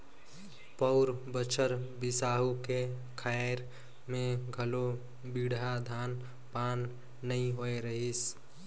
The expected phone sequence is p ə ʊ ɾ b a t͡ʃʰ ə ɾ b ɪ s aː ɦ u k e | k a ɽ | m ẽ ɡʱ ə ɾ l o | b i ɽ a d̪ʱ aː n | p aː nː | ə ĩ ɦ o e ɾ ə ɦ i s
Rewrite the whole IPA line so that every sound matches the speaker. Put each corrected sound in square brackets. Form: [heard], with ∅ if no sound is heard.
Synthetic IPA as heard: p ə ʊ ɾ b [ə] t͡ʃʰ ə ɾ b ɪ s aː ɦ u k e | [kʰ] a [ɾ] | m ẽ ɡʱ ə [∅] l o | b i ɽ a d̪ʱ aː n | p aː nː | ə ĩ ɦ o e ɾ ə ɦ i s